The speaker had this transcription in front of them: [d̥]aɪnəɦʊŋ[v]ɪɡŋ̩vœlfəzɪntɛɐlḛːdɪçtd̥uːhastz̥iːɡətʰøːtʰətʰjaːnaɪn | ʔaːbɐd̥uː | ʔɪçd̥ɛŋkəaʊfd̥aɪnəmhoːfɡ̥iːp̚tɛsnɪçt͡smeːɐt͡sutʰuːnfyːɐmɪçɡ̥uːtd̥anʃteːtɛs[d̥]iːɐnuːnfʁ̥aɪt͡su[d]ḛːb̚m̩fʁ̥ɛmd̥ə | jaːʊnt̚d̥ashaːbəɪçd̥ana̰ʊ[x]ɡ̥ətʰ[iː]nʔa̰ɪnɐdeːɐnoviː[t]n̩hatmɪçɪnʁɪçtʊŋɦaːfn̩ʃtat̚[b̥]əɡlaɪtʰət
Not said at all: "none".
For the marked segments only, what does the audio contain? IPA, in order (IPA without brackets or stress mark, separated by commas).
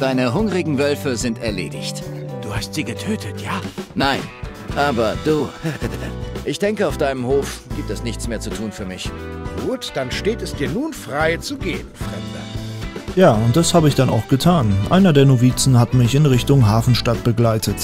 d̥, ʁ, d̥, ɡ, x, aː, t͡s, b̥